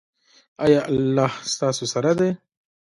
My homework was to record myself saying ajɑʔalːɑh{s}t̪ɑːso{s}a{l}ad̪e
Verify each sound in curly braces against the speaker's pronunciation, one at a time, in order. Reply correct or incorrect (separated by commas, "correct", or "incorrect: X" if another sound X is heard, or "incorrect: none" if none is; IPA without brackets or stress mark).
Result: correct, correct, incorrect: ɾ